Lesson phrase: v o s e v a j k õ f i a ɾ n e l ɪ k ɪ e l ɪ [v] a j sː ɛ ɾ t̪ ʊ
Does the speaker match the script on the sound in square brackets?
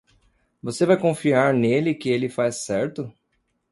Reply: no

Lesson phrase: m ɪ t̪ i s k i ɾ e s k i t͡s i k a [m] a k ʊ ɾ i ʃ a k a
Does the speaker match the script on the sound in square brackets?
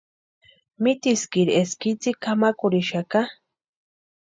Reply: yes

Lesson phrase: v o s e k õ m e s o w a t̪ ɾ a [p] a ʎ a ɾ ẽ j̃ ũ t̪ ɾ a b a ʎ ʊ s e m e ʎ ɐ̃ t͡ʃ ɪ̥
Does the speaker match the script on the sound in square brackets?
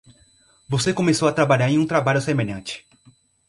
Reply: no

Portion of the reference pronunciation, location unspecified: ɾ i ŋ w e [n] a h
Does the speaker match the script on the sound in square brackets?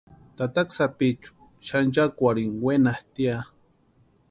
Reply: yes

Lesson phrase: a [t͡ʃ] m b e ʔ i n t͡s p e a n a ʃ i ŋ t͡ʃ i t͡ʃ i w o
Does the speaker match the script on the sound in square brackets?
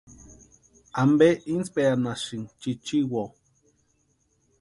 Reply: no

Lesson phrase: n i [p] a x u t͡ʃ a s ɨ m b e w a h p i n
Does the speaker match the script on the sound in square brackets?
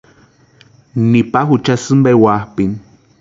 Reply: yes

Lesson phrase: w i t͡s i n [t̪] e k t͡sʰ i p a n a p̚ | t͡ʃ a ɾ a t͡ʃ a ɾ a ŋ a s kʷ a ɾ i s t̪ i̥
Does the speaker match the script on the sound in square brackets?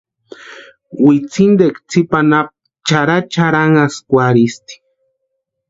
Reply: no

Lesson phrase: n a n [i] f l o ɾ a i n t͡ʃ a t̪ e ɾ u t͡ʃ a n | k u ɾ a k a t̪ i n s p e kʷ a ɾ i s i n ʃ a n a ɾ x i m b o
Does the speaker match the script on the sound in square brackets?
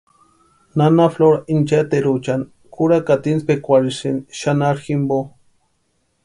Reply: no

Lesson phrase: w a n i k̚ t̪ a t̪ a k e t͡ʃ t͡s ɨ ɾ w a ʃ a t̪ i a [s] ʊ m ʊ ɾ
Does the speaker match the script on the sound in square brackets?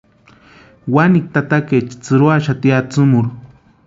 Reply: no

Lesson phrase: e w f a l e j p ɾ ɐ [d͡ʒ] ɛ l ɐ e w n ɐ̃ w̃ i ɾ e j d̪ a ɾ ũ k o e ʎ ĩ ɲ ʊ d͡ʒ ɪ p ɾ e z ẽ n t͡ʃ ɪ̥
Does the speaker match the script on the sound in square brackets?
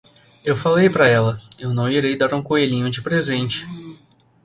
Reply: no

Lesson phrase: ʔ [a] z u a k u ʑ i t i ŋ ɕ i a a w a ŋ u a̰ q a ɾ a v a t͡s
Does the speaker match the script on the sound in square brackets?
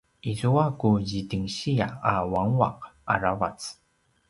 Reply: no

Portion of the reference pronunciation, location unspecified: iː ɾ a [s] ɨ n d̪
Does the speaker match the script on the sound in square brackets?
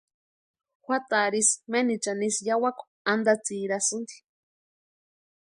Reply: yes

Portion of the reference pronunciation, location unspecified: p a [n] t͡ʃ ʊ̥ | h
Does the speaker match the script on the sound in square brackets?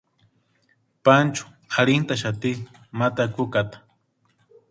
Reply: yes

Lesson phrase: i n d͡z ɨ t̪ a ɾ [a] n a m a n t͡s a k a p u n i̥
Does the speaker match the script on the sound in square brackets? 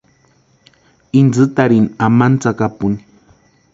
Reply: no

